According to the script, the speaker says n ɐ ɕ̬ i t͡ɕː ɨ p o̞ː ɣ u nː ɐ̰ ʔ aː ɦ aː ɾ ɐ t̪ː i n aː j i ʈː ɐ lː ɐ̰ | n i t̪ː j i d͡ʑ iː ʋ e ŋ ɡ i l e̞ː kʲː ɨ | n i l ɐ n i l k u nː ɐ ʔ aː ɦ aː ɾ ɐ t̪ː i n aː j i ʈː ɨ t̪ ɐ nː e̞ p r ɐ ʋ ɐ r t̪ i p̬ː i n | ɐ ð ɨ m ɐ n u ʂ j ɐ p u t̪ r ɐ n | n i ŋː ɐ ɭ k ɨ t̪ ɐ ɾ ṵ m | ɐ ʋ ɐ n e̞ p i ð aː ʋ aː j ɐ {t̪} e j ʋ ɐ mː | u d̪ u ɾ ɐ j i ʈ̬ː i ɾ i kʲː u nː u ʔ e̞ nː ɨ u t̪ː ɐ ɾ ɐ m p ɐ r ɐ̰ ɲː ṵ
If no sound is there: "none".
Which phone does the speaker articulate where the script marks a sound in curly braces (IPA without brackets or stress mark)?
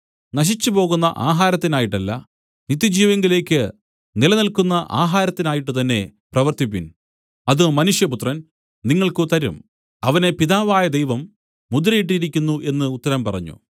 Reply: d̪